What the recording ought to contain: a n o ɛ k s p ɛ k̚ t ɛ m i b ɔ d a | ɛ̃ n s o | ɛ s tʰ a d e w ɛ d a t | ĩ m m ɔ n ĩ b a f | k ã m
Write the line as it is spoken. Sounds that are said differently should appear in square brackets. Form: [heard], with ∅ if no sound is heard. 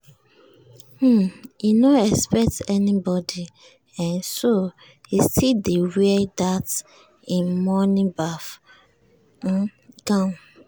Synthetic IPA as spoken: [i] n o ɛ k s p ɛ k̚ t ɛ [n] i b ɔ d [i] | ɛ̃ n s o | [i] s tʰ [i] d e w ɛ d a t | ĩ [n] m ɔ n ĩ b a f | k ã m

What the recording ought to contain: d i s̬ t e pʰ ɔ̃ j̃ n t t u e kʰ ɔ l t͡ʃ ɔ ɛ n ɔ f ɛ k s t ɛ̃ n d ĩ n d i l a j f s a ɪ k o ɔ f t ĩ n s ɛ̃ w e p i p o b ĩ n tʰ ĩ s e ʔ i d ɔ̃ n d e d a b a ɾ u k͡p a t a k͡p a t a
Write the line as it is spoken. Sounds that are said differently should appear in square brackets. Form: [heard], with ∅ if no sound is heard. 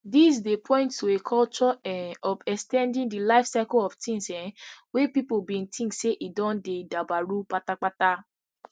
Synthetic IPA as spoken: d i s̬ [d] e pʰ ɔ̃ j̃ n t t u e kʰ ɔ l t͡ʃ ɔ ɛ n ɔ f ɛ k s t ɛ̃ n d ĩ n d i l a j f s a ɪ k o ɔ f t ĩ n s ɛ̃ w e p i p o b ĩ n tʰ ĩ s e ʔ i d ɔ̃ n d e d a b a ɾ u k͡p a t a k͡p a t a

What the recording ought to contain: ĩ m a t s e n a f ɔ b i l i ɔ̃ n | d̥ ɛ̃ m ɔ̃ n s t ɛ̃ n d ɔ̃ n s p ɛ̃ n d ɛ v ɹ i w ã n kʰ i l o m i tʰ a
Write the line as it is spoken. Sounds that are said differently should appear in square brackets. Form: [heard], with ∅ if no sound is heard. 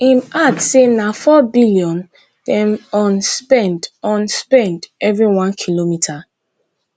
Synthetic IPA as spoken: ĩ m a t s e n a f ɔ b i l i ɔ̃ n | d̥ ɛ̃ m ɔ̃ n s [p] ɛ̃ n d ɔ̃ n s p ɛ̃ n d ɛ v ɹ i w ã n kʰ i l o m i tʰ a

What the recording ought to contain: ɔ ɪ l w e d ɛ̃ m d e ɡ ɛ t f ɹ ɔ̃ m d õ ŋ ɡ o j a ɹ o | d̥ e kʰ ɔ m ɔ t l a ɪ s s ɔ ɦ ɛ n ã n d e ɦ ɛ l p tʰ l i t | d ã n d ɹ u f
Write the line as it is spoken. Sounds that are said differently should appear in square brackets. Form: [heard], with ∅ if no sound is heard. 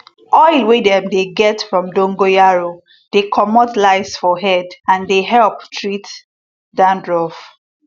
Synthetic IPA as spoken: ɔ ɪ l w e d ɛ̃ m d e ɡ ɛ t f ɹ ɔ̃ m d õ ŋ ɡ o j a ɹ o | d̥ e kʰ ɔ m ɔ t l a ɪ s [f] ɔ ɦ ɛ [d] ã n d e ɦ ɛ l p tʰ [ɹ] i t | d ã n d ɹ [ɔ] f

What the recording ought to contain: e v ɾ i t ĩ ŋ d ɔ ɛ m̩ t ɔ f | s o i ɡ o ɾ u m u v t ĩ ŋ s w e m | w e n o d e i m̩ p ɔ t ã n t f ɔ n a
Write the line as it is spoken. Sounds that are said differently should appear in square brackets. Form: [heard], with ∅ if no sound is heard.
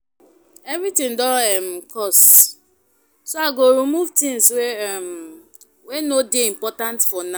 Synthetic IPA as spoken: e v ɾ i t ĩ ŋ d ɔ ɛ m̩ [k] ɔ [s] | s o [a] ɡ o ɾ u m u v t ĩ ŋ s w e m | w e n o d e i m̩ p ɔ t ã n t f ɔ n a

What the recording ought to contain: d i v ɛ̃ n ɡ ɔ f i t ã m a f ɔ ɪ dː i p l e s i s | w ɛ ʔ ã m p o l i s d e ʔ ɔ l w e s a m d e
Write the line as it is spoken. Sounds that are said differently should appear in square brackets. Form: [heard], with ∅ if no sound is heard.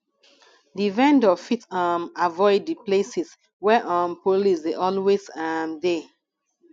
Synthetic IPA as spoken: d i v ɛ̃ n [d] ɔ f i t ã m a [v] ɔ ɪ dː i p l e s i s | w ɛ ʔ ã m p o l i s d e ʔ ɔ l w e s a m d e

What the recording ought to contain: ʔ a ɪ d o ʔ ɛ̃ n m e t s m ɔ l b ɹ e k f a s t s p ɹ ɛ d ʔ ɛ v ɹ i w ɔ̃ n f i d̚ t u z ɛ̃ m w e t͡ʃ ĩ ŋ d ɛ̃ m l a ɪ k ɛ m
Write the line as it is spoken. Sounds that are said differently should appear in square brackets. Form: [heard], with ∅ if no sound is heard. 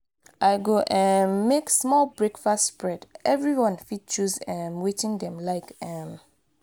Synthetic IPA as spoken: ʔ a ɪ [ɡ] o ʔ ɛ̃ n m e [k] s m ɔ l b ɹ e k f a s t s p ɹ ɛ d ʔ ɛ v ɹ i w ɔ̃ n f i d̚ [t͡ʃ] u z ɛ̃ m w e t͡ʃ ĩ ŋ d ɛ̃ m l a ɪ k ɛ m

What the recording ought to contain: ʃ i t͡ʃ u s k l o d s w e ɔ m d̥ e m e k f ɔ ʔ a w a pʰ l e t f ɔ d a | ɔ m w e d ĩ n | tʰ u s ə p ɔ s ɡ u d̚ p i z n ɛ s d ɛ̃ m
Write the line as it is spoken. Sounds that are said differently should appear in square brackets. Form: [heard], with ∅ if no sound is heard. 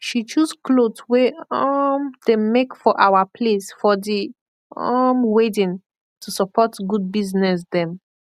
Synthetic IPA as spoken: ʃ i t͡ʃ u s k l o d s w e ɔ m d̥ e m e k f ɔ ʔ a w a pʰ l e [s] f ɔ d [i] | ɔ m w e d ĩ n | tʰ u s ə p ɔ [t] ɡ u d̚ [b] i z n ɛ s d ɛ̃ m

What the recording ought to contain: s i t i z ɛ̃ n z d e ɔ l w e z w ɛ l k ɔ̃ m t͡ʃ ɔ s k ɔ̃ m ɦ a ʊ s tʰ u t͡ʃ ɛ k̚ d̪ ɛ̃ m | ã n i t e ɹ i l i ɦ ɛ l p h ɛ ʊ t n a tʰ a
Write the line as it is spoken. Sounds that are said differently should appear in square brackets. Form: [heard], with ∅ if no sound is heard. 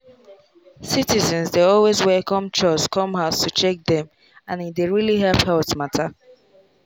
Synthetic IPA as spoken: s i t i z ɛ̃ n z d e ɔ l w e z w ɛ l k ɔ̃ m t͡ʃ ɔ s k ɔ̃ m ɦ a ʊ s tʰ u t͡ʃ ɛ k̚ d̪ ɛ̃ m | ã n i [d] e ɹ i l i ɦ ɛ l p h ɛ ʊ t [m] a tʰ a

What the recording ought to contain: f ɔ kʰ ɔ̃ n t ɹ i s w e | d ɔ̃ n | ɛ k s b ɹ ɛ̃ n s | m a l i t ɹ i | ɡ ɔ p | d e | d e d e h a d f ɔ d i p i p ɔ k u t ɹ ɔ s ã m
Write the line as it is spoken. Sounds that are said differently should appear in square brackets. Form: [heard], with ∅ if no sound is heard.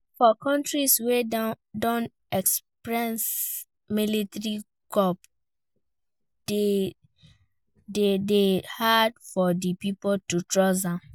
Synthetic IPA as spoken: f ɔ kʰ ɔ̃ n t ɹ i s w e | d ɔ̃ n | ɛ k s [p] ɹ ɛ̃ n s | m [i] l i t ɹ i | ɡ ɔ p | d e | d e d e h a d f ɔ d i p i p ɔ [t] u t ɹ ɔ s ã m

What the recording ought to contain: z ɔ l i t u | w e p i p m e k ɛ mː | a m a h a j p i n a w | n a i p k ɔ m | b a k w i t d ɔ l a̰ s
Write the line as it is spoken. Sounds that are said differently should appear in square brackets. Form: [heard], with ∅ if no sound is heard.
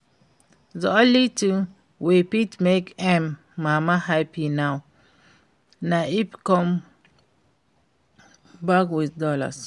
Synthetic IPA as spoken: z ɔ l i t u | w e p i [t] m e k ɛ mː | a m a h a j p i n a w | n a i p k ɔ m | b a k w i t d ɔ l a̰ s

